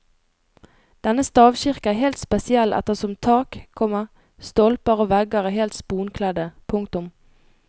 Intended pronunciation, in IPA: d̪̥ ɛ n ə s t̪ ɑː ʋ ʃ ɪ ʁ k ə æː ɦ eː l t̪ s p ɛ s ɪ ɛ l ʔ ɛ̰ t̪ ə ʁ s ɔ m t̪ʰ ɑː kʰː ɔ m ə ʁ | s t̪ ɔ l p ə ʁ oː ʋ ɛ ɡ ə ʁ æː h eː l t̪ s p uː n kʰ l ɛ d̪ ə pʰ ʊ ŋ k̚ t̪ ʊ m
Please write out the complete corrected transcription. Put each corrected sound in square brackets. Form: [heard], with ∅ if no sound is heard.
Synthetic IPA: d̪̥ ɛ n ə s t̪ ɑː ʋ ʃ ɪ ʁ k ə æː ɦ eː l t̪ s p ɛ s ɪ ɛ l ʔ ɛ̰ t̪ ə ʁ s ɔ m t̪ʰ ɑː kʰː ɔ m ə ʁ | s t̪ ɔ l p ə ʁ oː ʋ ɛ ɡ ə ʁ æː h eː l t̪ s p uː n kʰ l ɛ d̪ ə pʰ ʊ ŋ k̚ t̪ ʊ m